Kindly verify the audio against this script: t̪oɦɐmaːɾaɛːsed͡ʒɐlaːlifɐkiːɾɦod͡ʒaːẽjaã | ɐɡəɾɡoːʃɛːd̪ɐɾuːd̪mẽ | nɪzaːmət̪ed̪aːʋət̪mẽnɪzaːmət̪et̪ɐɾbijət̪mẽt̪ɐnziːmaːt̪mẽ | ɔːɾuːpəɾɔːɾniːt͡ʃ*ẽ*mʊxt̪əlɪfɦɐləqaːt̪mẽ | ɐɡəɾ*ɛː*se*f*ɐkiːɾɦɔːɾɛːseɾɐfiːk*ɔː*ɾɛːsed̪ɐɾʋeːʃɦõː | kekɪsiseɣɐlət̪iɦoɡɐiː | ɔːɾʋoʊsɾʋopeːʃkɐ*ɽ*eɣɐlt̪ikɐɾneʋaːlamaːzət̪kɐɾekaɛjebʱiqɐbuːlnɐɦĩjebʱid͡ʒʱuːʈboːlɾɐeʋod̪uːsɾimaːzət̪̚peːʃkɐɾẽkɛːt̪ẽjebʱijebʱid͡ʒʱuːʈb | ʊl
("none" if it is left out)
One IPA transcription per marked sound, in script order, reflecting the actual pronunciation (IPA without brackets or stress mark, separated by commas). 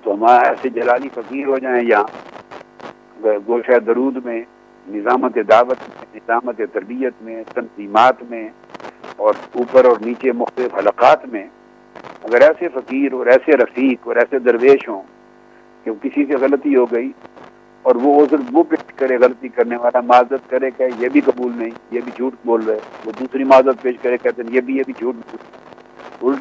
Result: e, ɛː, f, ɔː, ɾ